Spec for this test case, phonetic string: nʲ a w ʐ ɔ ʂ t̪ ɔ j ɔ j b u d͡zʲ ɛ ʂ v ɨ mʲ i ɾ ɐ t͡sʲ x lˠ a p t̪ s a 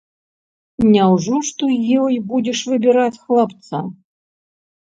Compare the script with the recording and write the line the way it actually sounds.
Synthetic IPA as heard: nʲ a w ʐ ɔ ʂ t̪ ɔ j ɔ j b u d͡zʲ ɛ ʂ v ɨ bʲ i ɾ a t͡sʲ x lˠ a p t̪ s a